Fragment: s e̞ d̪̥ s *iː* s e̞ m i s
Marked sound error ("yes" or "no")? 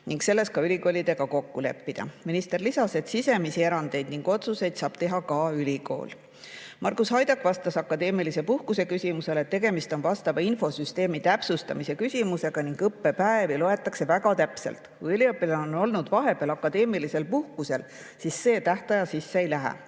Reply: yes